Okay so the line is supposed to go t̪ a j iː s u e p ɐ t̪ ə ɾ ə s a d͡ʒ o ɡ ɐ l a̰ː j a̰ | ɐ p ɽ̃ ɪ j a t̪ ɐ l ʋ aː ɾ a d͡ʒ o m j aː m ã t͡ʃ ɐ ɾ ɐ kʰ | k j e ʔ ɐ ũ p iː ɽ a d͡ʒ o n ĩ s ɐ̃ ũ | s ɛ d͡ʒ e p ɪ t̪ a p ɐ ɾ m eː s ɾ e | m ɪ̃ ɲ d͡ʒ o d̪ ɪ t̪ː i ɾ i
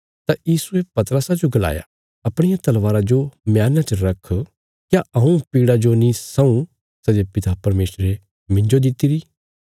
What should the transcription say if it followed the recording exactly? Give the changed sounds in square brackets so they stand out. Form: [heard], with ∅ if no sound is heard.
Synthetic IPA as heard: t̪ a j iː s u e p ɐ t̪ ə ɾ ə s a d͡ʒ o ɡ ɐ l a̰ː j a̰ | ɐ p ɽ̃ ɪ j a t̪ ɐ l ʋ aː ɾ a d͡ʒ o m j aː [n] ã t͡ʃ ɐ ɾ ɐ kʰ | k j [a] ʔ ɐ ũ p iː ɽ a d͡ʒ o n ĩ s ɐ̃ ũ | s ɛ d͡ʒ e p ɪ t̪ a p ɐ ɾ m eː s ɾ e | m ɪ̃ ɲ d͡ʒ o d̪ ɪ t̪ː i ɾ i